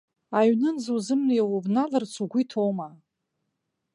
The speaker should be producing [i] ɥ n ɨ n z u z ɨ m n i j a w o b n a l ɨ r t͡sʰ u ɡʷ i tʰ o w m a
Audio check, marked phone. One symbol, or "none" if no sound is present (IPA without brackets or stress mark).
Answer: a